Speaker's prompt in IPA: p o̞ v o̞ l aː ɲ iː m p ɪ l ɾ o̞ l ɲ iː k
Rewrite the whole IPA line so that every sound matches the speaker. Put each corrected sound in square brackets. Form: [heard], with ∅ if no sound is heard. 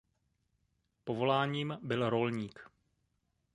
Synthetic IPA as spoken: p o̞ v o̞ l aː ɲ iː m [b] ɪ l ɾ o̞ l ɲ iː k